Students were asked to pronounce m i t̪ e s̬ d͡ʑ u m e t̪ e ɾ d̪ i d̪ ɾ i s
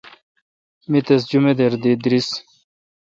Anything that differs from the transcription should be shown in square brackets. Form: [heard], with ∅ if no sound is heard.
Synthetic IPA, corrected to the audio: m i t̪ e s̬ d͡ʑ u m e [d̪] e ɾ d̪ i d̪ ɾ i s